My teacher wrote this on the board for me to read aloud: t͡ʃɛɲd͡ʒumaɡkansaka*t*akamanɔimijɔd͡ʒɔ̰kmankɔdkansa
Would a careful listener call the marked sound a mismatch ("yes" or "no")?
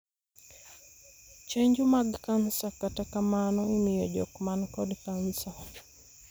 no